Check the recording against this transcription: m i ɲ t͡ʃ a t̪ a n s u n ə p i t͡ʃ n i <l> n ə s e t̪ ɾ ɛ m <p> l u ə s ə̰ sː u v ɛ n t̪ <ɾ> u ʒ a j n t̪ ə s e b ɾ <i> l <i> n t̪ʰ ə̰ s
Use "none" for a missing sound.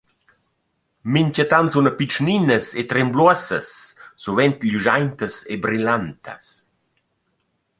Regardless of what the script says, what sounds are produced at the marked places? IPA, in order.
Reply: none, b, ʎ, i, a

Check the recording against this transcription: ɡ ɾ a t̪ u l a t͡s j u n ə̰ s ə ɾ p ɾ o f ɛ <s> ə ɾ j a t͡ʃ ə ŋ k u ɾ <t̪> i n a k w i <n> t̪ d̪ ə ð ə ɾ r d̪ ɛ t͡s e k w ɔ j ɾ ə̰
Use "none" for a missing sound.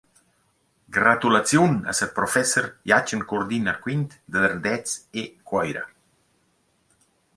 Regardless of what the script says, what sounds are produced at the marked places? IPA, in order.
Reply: s, d̪, n

